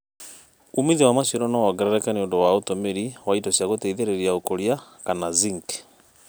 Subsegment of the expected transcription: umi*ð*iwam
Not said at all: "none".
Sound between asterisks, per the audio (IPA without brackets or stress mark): ð